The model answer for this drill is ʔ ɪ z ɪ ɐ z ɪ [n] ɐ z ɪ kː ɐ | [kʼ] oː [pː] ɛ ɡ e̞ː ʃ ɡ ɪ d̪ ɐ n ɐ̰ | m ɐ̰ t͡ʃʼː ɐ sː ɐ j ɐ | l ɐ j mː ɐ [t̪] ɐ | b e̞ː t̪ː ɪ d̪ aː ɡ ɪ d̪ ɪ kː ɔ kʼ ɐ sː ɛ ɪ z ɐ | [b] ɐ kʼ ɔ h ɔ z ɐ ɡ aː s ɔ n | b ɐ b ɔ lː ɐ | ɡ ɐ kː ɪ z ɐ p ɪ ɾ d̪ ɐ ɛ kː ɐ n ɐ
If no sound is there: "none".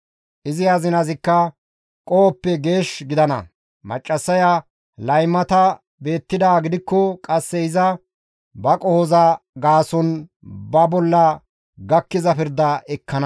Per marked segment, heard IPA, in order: n, kʼ, pː, t̪, b

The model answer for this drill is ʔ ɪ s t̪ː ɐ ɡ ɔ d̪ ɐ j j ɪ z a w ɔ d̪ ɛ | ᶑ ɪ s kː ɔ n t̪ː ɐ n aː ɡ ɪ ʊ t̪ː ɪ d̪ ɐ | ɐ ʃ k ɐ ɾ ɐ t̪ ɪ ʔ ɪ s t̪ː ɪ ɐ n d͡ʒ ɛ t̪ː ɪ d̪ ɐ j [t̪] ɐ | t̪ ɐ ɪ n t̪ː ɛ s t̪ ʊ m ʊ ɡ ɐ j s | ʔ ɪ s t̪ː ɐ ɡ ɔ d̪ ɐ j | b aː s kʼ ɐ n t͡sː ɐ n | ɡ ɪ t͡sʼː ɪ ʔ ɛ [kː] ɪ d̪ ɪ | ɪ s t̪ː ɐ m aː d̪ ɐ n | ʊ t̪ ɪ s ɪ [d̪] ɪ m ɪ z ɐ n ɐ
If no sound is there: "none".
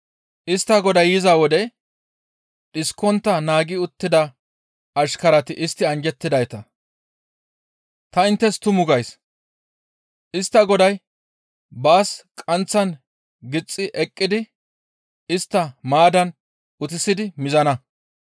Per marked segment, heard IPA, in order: t̪, kʼː, d̪

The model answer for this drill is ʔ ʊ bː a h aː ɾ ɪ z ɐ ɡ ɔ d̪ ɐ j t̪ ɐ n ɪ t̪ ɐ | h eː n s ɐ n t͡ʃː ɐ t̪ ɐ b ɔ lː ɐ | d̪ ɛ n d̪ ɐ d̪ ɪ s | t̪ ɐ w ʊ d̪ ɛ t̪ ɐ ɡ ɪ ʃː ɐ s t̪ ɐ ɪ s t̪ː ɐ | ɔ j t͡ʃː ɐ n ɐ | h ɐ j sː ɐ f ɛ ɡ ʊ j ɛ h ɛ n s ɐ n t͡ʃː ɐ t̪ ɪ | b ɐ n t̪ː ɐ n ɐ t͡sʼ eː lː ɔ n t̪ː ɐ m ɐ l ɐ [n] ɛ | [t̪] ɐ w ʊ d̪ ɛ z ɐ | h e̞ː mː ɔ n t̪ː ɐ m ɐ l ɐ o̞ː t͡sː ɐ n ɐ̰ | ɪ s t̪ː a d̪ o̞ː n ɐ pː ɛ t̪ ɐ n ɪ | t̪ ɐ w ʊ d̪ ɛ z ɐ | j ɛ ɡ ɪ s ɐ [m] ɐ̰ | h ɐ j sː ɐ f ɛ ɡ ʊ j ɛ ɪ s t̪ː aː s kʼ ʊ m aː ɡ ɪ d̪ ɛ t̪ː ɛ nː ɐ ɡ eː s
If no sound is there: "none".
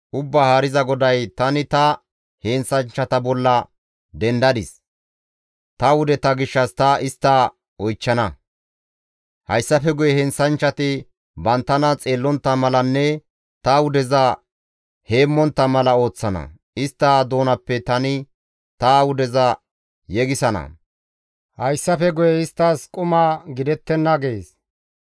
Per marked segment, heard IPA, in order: nː, t̪, n

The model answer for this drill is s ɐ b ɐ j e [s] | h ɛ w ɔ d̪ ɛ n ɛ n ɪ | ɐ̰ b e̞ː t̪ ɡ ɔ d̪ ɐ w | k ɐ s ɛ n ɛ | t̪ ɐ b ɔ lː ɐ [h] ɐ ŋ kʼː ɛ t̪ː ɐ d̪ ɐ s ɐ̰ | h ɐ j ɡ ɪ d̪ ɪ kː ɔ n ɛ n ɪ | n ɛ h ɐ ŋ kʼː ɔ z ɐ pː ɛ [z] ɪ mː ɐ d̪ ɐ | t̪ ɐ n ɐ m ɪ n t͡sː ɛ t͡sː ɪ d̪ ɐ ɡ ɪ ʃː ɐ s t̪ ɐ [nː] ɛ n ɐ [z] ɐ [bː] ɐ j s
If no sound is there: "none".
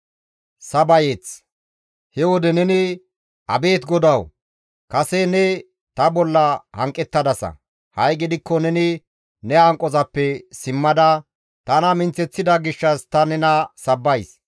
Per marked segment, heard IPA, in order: t͡s, h, s, n, s, bː

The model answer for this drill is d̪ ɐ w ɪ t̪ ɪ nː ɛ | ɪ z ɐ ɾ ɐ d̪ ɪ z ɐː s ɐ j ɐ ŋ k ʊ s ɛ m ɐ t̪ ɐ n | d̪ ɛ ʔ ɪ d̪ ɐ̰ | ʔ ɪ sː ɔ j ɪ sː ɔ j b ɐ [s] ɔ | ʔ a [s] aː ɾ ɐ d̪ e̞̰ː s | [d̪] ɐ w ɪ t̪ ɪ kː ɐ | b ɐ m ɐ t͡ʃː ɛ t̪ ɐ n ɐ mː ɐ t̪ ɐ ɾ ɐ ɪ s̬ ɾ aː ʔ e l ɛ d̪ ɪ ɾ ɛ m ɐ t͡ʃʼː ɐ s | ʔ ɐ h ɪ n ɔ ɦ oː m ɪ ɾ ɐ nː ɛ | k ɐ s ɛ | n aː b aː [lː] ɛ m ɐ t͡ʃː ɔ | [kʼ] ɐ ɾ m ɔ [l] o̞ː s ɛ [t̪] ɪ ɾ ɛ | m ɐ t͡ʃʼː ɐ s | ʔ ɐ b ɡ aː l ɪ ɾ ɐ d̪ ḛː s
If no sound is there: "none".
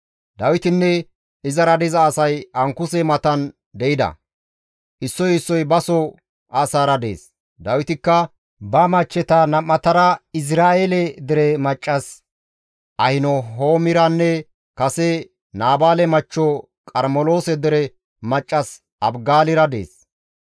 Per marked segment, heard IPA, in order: s, s, d̪, l, kʼ, l, d̪

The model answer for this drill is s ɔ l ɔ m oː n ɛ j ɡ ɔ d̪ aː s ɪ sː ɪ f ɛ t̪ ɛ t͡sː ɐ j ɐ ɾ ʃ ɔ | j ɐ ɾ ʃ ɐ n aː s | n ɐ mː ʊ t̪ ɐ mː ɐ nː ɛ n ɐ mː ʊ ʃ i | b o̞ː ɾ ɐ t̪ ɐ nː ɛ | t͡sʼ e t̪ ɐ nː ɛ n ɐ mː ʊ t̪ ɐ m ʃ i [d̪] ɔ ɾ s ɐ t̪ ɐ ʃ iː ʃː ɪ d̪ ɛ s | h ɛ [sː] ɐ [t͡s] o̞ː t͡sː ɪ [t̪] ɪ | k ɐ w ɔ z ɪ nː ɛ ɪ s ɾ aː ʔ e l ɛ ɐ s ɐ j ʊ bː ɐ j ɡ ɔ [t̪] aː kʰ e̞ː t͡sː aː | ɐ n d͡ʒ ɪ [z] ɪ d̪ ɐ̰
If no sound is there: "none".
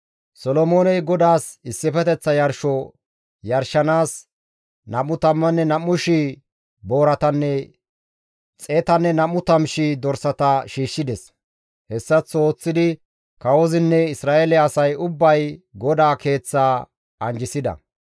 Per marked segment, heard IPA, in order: d̪, sː, t͡s, d̪, d̪, s

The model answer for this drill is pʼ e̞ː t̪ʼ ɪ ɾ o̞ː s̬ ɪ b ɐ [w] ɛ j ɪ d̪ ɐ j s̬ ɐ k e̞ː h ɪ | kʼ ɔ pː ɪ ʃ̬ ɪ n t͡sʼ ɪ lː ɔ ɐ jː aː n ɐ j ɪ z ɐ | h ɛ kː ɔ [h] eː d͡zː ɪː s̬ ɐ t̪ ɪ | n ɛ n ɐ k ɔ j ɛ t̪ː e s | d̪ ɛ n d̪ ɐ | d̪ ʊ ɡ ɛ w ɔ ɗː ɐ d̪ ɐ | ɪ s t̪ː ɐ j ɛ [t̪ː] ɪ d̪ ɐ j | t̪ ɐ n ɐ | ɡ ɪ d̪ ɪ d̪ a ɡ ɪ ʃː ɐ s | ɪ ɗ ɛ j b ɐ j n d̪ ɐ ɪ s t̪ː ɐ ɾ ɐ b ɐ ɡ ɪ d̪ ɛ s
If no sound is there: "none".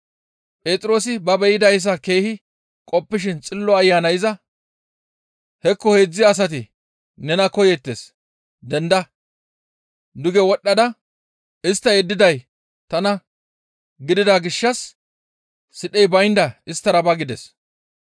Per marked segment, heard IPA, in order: b, h, d̪ː

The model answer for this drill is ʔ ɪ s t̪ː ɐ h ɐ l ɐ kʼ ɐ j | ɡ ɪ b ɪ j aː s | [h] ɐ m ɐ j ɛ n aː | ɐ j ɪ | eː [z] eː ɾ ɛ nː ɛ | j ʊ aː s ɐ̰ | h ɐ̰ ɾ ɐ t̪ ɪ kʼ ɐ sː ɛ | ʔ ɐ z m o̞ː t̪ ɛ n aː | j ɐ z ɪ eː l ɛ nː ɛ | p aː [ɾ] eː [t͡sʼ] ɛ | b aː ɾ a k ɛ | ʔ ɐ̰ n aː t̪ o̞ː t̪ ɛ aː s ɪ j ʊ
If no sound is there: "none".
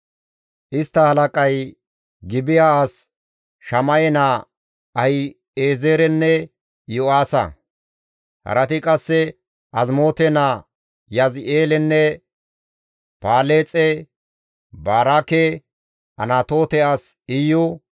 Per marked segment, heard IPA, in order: ʃ, z, l, t͡sʼ

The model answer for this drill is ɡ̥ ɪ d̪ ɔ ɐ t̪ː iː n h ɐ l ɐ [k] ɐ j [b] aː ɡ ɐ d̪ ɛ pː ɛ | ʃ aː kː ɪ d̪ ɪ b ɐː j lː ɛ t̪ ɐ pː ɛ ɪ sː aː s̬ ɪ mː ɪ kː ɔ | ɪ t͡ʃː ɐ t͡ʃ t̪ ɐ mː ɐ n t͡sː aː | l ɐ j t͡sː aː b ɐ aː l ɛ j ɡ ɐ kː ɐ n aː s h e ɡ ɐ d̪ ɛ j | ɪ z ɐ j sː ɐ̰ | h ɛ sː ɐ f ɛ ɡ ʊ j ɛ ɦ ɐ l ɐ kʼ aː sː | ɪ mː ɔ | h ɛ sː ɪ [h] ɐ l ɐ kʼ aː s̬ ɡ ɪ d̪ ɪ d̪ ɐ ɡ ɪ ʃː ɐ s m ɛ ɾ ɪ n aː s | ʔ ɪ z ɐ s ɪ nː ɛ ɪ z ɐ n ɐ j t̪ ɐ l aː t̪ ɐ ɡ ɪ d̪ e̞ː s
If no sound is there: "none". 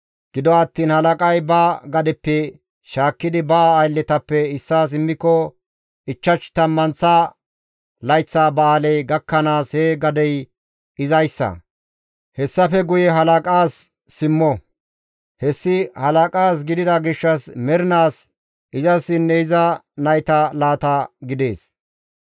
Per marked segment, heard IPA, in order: kʼ, b, h

